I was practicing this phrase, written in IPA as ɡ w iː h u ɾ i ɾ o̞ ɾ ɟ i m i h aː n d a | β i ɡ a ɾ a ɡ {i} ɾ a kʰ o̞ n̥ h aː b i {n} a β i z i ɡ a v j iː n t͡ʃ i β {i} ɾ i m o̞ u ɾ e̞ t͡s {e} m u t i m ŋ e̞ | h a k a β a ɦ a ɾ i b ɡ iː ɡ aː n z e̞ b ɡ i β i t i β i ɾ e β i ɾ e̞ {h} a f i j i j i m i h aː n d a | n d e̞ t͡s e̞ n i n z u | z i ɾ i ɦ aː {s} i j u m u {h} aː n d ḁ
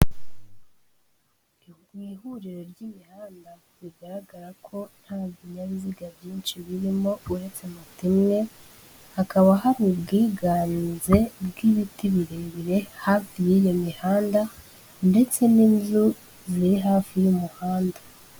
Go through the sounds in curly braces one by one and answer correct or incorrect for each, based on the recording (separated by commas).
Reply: incorrect, incorrect, correct, correct, correct, incorrect, correct